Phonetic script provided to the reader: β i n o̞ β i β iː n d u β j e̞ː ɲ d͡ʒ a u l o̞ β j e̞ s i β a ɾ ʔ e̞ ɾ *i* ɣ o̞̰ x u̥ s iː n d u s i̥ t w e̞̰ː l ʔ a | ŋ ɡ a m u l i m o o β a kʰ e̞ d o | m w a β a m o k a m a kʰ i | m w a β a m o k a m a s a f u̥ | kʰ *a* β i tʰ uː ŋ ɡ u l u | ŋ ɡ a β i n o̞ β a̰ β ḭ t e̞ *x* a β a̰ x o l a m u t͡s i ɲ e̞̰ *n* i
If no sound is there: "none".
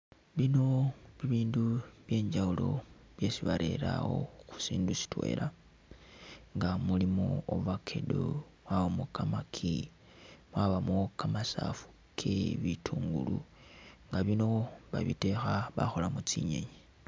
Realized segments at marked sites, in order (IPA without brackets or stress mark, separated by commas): a, e, x, ɲ